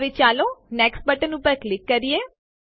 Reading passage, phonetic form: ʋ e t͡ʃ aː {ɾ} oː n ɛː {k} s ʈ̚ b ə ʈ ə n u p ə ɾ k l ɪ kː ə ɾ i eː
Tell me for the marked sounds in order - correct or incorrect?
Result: incorrect: l, correct

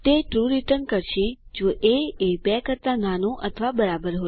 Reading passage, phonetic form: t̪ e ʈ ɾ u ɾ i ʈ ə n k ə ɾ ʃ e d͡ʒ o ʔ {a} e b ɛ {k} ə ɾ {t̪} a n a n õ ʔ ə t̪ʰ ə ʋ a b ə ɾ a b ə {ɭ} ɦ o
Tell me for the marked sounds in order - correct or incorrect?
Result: incorrect: e, correct, correct, incorrect: ɾ

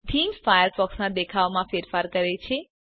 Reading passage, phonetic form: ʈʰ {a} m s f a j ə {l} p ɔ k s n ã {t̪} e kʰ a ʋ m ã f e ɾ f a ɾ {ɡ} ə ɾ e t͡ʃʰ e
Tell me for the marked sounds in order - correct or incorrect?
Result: incorrect: i, incorrect: ɾ, incorrect: d̪, incorrect: k

